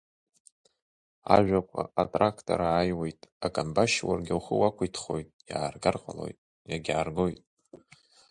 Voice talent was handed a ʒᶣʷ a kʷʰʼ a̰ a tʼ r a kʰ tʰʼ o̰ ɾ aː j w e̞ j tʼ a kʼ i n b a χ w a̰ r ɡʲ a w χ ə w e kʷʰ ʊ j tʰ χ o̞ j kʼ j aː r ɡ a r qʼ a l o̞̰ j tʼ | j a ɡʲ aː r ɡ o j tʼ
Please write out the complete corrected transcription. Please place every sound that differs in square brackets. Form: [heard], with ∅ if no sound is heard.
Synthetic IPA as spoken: a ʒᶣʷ a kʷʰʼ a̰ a tʼ r a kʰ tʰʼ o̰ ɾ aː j w e̞ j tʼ a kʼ [a] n b a [ʃ] w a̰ r ɡʲ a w χ ə w [a] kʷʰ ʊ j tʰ χ o̞ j [tʼ] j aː r ɡ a r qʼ a l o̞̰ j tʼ | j a ɡʲ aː r ɡ o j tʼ